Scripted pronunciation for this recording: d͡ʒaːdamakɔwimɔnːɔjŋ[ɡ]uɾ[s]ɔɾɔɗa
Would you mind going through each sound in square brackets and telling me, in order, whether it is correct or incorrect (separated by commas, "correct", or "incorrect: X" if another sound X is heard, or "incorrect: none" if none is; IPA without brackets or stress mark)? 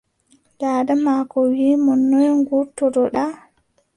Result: correct, incorrect: t